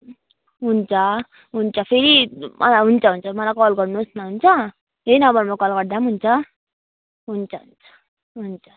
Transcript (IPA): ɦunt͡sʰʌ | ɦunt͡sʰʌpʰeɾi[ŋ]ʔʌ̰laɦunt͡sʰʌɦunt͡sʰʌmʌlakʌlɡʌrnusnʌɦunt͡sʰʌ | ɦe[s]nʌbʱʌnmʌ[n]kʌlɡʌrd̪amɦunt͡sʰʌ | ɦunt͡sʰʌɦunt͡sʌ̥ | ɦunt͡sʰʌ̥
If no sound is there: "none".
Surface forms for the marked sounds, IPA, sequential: m, none, none

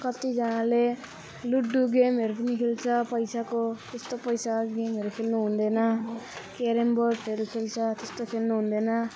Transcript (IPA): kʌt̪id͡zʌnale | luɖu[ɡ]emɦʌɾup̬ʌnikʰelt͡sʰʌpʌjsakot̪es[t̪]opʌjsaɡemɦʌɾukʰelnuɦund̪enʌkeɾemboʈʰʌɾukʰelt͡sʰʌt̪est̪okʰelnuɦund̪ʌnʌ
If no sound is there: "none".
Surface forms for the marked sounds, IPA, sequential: ɡ, t̪

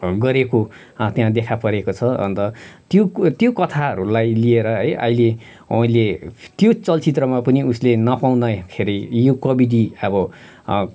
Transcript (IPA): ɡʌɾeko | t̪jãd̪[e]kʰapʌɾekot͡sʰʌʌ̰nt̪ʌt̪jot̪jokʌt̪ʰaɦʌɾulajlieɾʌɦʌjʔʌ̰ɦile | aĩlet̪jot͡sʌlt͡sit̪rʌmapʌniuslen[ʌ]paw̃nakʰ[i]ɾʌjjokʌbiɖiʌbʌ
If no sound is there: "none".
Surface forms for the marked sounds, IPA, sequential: e, ʌ, e

